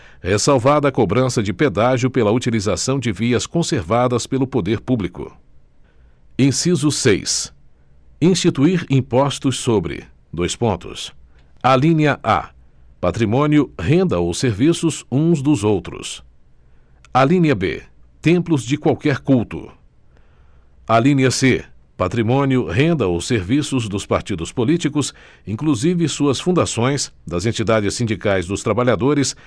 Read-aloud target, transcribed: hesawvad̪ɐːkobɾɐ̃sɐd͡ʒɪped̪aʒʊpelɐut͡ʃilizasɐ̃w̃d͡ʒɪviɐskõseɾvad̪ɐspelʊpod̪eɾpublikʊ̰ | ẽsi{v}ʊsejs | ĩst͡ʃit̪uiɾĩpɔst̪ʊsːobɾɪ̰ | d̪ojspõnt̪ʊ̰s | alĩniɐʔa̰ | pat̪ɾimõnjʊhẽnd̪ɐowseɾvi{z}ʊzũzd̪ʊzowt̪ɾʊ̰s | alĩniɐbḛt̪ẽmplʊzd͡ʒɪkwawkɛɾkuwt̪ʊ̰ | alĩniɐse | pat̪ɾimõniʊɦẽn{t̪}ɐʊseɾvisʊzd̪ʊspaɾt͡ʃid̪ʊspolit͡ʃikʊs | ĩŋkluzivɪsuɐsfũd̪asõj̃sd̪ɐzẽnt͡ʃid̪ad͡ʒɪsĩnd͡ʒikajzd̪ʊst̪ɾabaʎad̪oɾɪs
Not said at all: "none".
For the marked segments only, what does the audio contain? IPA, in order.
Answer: z, s, d̪

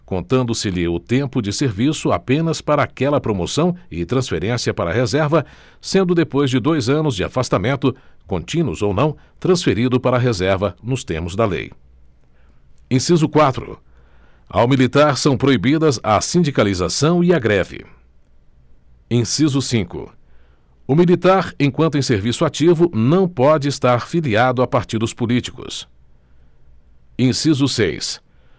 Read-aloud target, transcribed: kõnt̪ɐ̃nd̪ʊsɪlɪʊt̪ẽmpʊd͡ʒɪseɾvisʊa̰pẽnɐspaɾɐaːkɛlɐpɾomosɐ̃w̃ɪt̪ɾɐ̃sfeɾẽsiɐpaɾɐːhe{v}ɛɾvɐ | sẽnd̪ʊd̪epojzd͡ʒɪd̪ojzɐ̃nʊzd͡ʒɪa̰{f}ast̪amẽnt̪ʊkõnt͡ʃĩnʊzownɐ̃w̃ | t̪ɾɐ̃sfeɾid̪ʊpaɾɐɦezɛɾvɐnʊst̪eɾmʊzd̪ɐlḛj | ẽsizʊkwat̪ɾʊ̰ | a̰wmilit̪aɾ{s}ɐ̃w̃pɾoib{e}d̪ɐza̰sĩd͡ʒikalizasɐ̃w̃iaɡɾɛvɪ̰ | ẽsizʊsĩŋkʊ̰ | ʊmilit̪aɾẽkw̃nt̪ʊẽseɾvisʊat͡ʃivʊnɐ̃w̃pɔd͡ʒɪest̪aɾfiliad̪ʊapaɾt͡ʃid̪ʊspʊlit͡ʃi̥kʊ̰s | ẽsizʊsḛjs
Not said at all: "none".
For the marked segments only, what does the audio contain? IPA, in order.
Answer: z, f, s, i

